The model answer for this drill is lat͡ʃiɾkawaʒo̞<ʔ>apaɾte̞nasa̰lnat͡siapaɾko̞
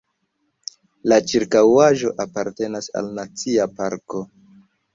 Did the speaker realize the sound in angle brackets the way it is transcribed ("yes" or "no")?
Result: yes